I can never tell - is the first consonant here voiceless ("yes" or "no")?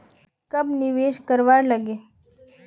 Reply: yes